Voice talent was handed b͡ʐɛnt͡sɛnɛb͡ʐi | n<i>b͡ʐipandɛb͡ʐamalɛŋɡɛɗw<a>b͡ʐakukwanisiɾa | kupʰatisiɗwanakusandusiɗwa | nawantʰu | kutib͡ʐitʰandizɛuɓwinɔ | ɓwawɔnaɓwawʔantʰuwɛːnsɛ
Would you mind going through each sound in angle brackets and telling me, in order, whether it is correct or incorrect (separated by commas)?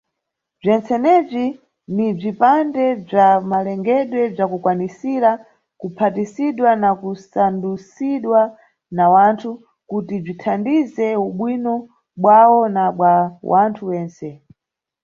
correct, incorrect